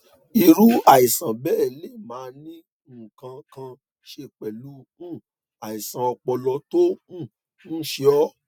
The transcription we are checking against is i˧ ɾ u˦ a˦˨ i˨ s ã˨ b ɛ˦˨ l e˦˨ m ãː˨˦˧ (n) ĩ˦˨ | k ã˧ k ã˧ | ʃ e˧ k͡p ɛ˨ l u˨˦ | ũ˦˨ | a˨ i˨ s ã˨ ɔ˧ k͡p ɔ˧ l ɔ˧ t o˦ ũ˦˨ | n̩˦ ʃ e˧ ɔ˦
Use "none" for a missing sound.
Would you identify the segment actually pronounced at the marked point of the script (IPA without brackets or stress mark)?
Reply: n